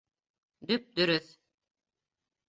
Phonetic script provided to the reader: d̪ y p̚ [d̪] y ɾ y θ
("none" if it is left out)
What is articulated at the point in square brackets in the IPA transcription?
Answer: d̪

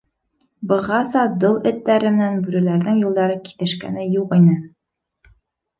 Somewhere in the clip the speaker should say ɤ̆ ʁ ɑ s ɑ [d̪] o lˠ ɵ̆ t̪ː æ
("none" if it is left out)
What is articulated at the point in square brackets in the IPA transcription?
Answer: d̪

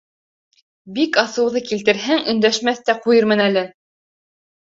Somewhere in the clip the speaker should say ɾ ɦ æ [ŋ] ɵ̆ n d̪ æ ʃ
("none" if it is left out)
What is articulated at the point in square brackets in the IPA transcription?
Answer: ŋ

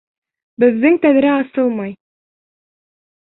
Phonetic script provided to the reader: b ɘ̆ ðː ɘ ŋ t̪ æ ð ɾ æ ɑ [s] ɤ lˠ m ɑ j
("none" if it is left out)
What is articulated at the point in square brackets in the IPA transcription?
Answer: s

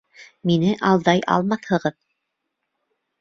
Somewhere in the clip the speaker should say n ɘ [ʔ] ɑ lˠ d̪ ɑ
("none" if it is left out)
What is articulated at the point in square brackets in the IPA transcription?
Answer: ʔ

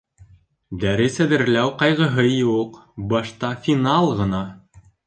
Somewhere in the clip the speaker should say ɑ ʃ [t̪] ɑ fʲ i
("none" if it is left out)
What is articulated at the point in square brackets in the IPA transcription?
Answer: t̪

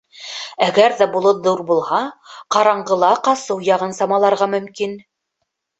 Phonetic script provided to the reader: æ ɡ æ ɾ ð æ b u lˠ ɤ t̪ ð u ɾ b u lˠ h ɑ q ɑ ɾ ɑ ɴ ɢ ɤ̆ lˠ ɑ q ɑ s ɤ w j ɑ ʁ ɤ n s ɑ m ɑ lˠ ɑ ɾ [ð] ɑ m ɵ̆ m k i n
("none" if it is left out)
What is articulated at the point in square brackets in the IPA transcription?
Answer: ʁ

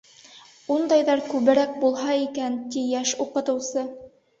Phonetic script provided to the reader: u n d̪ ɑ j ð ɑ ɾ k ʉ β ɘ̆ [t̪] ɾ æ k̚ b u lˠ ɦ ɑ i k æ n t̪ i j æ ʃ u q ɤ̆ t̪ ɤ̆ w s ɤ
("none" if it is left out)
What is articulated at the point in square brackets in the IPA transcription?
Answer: none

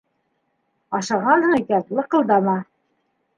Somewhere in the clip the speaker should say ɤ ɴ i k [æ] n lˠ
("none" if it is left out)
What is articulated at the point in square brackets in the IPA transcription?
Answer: æ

